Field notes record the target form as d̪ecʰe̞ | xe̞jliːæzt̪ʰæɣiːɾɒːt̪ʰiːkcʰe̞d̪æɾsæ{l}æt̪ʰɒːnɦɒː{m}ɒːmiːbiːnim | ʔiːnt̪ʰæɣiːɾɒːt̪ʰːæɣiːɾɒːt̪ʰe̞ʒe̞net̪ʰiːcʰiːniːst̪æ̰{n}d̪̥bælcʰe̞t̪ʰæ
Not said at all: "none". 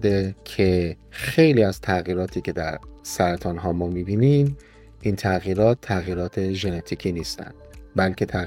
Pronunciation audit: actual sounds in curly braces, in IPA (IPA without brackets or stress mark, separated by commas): ɾ, m, n